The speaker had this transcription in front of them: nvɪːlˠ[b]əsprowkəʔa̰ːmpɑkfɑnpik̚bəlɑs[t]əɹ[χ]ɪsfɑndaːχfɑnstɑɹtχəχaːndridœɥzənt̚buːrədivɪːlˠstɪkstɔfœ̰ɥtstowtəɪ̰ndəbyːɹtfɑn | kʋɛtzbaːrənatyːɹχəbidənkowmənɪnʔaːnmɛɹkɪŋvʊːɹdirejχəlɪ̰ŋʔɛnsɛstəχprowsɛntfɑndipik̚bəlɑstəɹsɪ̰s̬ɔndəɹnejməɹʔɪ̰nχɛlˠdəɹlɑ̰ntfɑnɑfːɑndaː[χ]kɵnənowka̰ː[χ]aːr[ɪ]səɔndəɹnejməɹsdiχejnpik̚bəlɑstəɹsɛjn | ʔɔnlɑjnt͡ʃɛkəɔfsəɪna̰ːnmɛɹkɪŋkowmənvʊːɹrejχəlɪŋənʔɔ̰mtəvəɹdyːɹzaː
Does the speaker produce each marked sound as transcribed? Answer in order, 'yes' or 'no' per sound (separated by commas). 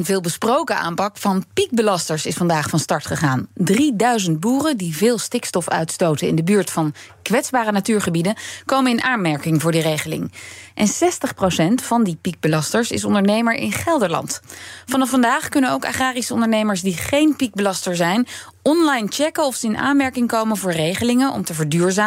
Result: yes, yes, no, yes, yes, no